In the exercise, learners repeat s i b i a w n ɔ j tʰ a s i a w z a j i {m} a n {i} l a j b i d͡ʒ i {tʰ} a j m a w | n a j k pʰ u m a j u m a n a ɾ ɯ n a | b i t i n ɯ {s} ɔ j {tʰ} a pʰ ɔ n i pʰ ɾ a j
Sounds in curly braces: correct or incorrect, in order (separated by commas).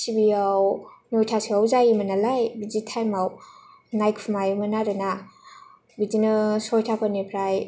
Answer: correct, incorrect, correct, correct, correct